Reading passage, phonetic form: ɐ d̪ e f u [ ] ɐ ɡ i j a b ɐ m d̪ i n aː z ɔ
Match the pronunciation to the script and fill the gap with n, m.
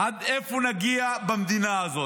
n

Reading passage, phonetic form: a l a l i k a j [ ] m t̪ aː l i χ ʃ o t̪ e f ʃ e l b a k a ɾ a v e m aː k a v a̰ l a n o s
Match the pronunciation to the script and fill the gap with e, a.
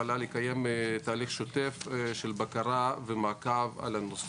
e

